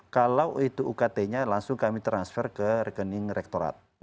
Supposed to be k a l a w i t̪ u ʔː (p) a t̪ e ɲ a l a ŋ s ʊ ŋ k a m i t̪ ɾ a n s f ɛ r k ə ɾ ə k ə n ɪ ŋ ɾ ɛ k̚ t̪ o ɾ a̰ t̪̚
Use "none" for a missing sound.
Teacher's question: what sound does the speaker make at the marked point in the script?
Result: k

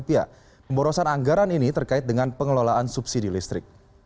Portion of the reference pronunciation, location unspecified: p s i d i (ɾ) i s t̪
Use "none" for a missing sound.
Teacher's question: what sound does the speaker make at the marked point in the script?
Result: l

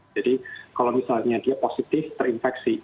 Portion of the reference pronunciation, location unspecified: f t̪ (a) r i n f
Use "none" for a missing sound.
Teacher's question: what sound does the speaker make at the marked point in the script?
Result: ə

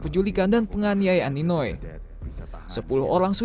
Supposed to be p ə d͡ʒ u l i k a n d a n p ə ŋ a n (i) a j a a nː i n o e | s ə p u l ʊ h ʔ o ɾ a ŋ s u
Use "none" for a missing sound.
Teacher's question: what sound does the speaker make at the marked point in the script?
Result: i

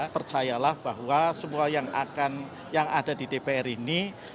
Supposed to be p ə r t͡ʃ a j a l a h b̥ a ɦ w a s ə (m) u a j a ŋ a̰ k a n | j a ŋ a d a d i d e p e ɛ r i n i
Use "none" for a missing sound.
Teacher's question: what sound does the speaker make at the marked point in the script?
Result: m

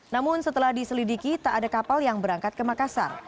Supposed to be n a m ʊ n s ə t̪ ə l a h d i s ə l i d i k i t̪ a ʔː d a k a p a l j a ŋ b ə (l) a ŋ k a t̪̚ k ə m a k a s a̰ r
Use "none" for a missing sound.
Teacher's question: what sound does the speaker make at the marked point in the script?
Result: ɾ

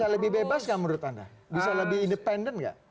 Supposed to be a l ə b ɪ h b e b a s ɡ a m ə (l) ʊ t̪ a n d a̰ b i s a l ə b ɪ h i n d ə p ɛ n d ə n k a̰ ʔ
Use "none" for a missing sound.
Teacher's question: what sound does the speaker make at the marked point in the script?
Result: ɾ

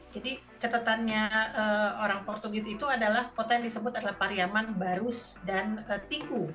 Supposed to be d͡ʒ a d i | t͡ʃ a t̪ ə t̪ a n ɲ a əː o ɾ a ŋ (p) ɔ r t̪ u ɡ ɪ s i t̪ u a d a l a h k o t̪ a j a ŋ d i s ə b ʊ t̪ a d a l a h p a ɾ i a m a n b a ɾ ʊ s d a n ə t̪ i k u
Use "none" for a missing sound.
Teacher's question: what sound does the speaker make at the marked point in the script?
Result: p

